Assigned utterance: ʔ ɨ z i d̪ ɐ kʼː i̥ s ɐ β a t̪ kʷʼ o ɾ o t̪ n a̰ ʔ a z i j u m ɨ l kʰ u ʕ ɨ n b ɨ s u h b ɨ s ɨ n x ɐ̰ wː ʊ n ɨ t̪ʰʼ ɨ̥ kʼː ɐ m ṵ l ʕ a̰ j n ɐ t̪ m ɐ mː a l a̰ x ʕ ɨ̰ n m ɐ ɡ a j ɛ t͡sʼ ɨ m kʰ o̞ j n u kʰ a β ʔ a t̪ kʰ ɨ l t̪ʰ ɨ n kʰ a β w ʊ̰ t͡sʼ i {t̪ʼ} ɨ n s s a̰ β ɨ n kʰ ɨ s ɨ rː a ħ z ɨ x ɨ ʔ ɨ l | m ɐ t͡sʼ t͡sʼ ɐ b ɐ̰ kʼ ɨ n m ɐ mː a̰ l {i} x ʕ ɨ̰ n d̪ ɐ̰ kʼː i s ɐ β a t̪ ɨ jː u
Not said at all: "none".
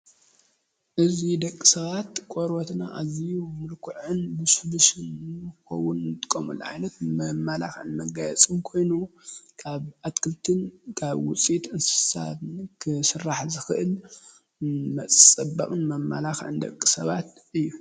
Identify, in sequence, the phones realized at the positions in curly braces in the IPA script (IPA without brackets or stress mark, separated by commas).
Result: t̪, a